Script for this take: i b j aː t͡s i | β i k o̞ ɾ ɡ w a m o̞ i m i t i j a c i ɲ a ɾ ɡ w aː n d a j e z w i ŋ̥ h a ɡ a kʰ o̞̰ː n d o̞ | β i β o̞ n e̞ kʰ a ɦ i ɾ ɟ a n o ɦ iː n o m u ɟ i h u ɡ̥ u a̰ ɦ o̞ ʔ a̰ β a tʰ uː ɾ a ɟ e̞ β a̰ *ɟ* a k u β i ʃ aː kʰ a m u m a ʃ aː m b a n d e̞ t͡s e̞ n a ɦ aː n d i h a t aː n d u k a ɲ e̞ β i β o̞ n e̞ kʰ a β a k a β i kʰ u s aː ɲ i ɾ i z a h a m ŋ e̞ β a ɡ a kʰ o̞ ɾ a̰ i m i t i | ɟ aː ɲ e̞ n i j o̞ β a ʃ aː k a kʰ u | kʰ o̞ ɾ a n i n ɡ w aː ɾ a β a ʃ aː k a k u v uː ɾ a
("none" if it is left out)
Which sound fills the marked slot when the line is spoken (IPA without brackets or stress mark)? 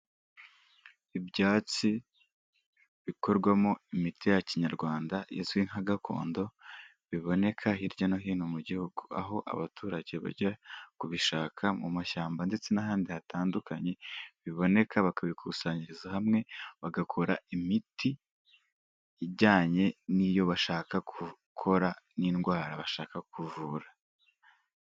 ɟ